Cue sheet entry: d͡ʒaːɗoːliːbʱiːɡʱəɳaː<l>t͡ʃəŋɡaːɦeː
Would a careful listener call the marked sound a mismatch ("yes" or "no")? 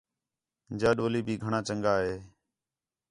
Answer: yes